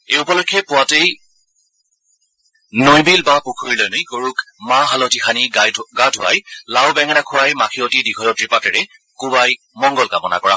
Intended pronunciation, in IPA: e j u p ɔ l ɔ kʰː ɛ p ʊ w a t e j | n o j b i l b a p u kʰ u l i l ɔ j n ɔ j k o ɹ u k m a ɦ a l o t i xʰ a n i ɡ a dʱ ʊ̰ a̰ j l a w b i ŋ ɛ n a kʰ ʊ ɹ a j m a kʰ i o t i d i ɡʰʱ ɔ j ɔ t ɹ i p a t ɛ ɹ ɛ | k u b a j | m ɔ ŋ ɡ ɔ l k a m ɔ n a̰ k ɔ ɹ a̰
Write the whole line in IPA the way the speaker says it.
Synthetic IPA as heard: e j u p ɔ l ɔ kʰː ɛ p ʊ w a t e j | n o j b i l b a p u kʰ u ɹ i l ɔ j n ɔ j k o ɹ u k m a ɦ a l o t i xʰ a n i ɡ a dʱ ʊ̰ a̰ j l a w b ɛ ŋ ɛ n a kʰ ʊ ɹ a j m a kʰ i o t i d i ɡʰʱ ɔ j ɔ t ɹ i p a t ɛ ɹ ɛ | k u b a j | m ɔ ŋ ɡ ɔ l k a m ɔ n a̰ k ɔ ɹ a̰